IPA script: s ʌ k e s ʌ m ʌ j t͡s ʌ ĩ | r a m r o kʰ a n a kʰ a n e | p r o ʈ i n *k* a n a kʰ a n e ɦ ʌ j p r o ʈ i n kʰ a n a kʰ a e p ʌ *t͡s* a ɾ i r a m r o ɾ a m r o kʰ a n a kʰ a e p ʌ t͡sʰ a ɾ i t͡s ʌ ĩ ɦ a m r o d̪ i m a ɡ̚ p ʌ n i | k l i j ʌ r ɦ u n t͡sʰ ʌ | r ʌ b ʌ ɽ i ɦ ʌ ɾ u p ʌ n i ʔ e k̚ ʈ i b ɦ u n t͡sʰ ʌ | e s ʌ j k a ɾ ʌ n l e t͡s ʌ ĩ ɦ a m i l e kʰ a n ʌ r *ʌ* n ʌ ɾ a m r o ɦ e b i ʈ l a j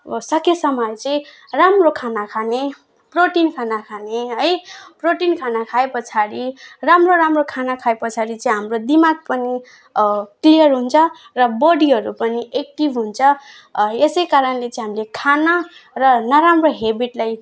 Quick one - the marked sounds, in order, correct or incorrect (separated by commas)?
incorrect, incorrect, correct